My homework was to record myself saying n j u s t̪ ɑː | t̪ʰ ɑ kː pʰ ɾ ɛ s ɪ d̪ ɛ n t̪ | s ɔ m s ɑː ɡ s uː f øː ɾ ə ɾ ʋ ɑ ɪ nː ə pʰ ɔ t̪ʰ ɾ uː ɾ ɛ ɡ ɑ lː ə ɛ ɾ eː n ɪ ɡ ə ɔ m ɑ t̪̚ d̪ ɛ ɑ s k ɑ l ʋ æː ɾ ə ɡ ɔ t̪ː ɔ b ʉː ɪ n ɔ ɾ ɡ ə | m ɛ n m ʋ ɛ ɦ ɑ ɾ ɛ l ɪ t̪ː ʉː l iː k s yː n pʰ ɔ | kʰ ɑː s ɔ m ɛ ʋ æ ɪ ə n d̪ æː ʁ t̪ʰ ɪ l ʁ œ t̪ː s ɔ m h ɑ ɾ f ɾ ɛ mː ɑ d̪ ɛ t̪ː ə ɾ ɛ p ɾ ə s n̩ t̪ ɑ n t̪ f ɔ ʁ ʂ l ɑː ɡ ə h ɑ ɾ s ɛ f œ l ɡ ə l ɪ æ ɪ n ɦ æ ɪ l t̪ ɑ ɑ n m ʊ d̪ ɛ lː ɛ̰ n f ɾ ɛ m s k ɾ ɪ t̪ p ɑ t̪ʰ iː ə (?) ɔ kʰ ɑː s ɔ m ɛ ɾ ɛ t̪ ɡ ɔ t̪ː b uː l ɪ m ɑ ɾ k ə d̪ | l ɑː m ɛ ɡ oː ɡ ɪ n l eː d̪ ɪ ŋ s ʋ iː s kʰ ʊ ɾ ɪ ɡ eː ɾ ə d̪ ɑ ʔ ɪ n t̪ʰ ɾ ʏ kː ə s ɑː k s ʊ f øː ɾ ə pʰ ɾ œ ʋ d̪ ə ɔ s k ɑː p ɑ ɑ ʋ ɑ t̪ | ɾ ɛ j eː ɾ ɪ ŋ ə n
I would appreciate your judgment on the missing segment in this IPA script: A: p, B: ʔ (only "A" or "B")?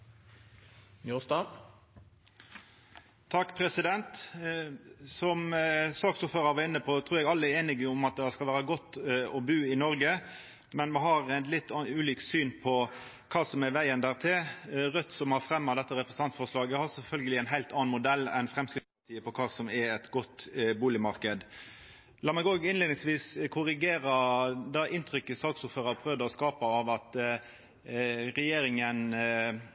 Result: A